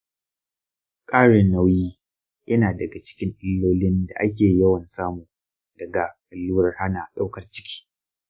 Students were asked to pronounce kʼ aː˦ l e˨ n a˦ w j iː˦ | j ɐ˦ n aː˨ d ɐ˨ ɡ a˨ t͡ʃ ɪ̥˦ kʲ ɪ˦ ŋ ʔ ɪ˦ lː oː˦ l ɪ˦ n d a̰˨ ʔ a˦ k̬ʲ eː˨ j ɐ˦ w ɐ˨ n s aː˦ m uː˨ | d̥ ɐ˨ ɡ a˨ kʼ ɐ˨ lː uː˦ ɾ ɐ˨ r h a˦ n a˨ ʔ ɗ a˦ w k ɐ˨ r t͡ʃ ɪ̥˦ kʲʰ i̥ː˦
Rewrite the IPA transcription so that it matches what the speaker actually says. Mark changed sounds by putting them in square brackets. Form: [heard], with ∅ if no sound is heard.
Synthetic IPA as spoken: kʼ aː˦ [ɽ] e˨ n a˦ w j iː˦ | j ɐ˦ n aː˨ d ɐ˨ ɡ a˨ t͡ʃ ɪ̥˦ kʲ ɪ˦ ŋ ʔ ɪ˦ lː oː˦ l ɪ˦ n d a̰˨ ʔ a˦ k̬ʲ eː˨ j ɐ˦ w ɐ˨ n s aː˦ m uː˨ | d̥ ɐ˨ ɡ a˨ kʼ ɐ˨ lː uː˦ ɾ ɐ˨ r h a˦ n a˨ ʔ ɗ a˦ w k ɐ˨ r t͡ʃ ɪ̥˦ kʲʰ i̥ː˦